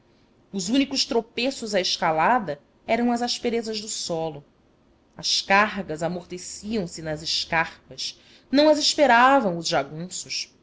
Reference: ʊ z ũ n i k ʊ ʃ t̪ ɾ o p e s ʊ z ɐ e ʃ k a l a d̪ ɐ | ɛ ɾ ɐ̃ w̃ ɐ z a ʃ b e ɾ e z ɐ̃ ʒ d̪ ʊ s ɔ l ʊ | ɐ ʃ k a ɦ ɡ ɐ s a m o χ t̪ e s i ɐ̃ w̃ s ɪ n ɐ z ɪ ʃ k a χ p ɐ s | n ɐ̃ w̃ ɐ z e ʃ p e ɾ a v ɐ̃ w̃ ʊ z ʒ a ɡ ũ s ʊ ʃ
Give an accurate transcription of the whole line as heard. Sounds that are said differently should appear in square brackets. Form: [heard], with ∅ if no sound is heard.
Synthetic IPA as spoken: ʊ z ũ n i k ʊ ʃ t̪ ɾ o p e s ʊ z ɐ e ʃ k a l a d̪ ɐ | ɛ ɾ ɐ̃ w̃ ɐ z a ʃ [p] e ɾ e z [ɐ] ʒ d̪ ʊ s ɔ l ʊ | ɐ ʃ k a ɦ ɡ ɐ [z] a m o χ t̪ e s i ɐ̃ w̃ s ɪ n ɐ z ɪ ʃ k a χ p ɐ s | n ɐ̃ w̃ ɐ z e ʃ p e ɾ a v ɐ̃ w̃ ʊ z ʒ a ɡ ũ s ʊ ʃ